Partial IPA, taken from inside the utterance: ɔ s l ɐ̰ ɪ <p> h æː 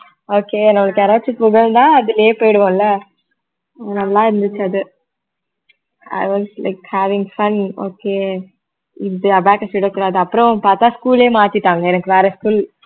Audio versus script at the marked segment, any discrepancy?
yes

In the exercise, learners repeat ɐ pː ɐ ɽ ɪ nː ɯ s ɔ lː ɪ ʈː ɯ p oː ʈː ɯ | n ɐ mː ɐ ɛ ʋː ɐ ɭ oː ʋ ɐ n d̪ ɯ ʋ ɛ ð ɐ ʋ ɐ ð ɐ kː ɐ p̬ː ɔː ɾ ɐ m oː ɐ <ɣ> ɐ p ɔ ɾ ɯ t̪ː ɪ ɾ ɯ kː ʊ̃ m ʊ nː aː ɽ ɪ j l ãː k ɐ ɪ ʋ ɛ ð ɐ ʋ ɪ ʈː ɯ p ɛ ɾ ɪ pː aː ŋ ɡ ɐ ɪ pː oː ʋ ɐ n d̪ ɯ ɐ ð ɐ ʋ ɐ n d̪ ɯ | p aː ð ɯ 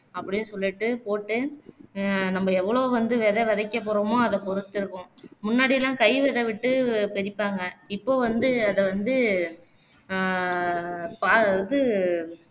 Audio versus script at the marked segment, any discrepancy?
yes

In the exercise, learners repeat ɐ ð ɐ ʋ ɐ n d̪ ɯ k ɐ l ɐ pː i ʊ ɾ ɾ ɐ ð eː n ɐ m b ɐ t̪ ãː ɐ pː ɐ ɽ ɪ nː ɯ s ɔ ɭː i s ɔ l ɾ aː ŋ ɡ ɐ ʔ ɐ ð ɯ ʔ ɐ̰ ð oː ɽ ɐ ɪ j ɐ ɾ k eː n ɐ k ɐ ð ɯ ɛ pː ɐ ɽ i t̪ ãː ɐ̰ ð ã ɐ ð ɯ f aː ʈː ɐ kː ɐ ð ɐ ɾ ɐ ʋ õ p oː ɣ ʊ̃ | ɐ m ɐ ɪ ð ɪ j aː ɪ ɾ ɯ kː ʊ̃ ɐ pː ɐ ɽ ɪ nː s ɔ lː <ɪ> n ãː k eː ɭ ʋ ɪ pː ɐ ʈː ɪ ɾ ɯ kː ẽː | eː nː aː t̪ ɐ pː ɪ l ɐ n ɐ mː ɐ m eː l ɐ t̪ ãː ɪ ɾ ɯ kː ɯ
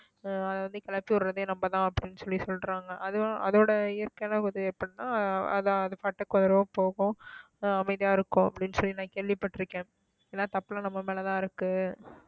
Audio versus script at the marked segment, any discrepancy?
yes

